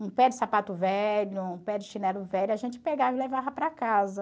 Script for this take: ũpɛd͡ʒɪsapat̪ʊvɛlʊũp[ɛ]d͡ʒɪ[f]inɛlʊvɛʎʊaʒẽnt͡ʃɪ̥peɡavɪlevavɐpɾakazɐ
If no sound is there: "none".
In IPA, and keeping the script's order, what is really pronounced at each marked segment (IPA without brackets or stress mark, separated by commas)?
ɛ, ʃ